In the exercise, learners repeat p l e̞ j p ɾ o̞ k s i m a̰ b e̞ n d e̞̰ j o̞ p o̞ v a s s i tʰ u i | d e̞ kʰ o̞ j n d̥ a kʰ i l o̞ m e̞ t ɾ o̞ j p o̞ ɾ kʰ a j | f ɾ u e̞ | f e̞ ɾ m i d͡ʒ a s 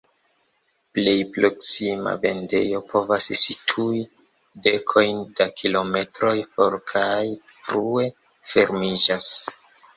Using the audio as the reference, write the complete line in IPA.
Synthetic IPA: p l e̞ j p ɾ o̞ k s i m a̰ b e̞ n d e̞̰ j o̞ p o̞ v a s s i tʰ u i | d e̞ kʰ o̞ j n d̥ a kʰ i l o̞ m e̞ t ɾ o̞ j p o̞ ɾ kʰ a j | f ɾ u e̞ | f e̞ ɾ m i d͡ʒ a s